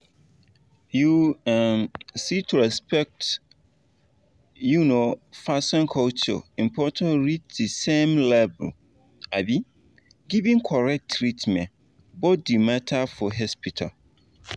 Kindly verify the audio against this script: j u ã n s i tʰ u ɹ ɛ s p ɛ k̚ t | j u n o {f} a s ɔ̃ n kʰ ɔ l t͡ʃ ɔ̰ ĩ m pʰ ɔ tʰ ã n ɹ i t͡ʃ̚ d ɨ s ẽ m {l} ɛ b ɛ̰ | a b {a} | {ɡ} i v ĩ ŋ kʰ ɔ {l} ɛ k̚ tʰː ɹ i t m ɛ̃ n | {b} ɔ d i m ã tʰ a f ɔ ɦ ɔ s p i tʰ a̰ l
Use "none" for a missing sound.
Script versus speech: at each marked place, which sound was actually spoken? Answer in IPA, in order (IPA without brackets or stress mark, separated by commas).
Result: f, l, i, ɡ, ɹ, b